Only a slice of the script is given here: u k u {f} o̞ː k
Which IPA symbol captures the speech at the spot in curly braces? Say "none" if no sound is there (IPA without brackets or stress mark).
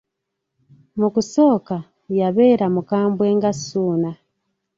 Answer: s